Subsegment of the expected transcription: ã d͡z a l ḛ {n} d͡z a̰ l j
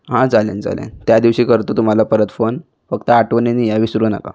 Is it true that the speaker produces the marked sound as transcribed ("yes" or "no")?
yes